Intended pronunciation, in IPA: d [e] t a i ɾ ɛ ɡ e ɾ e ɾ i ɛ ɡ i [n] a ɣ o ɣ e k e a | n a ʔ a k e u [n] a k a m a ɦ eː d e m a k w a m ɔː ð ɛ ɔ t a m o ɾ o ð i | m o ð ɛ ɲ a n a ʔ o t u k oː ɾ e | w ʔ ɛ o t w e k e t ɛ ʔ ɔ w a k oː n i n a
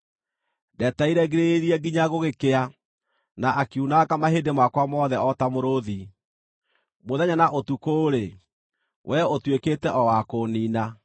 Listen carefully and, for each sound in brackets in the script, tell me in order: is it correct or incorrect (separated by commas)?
incorrect, incorrect, correct